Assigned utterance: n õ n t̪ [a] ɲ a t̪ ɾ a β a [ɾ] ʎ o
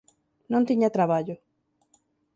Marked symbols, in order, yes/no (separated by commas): no, no